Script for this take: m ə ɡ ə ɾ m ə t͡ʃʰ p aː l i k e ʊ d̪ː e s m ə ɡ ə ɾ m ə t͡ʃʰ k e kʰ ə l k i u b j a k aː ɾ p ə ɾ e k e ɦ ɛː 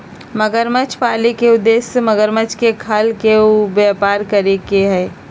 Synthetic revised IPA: m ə ɡ ə ɾ m ə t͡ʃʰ p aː l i k e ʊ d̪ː e s m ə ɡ ə ɾ m ə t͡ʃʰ k e kʰ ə l k e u b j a p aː ɾ k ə ɾ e k e ɦ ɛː